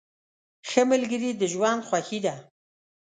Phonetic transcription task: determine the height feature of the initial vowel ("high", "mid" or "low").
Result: mid